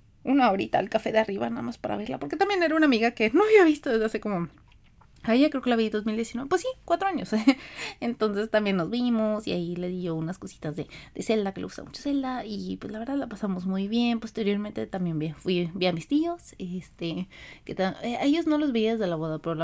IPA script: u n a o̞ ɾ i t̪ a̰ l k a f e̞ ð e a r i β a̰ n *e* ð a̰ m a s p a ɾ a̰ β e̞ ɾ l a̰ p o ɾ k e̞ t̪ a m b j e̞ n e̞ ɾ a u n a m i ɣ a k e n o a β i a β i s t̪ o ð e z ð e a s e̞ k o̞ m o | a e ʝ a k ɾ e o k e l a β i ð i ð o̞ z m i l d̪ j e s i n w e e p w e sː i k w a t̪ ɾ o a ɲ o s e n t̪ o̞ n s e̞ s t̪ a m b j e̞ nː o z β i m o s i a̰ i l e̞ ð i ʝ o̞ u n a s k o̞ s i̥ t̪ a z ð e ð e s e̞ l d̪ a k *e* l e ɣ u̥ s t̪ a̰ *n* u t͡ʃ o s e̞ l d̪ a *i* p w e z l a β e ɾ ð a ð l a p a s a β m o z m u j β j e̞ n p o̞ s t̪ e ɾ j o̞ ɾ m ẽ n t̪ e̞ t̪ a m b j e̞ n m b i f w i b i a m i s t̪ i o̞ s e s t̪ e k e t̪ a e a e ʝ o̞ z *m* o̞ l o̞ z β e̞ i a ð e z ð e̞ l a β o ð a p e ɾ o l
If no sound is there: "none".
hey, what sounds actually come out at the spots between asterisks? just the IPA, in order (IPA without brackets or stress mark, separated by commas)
a, e, m, i, n